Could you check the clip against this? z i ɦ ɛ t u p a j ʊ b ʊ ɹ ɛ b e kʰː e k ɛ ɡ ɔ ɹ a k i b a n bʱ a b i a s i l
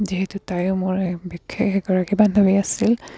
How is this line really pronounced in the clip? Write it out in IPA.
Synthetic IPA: z i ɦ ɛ t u t a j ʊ m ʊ ɹ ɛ b i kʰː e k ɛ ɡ ɔ ɹ a k i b a n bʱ a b i a s i l